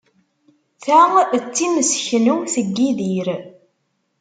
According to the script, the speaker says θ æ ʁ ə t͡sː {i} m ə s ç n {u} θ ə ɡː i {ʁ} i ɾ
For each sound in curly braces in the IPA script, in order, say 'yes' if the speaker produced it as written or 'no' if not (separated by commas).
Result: yes, yes, no